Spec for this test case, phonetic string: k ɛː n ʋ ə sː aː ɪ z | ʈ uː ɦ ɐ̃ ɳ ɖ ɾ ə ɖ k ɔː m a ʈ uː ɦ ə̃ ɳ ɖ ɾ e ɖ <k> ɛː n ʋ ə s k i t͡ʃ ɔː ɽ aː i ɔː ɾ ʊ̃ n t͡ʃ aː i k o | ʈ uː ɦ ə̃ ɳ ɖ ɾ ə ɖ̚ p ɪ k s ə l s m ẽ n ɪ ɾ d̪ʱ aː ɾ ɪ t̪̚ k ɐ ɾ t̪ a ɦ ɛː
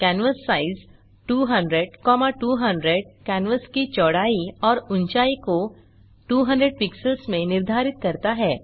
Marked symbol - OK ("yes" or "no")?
yes